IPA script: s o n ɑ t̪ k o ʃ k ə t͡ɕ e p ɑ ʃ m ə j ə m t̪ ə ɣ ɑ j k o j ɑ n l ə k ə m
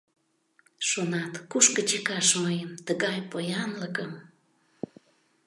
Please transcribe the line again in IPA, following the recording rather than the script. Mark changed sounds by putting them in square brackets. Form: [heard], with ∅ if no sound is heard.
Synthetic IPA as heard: [ʃ] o n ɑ t̪ k [u] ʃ k ə t͡ɕ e [k] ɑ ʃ m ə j ə m t̪ ə ɣ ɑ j [p] o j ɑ n l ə k ə m